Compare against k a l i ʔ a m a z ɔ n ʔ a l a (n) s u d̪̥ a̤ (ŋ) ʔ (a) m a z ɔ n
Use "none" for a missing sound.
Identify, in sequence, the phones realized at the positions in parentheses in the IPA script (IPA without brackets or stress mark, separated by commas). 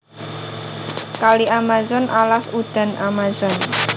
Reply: none, n, a